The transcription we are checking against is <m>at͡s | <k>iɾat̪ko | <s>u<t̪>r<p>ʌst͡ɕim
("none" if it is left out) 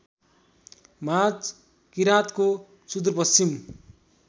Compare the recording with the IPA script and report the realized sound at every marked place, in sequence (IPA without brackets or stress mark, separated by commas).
m, k, s, d̪, p